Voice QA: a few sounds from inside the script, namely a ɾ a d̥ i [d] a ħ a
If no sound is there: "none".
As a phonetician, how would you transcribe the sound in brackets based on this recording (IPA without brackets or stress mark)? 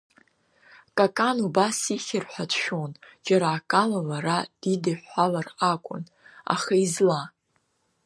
d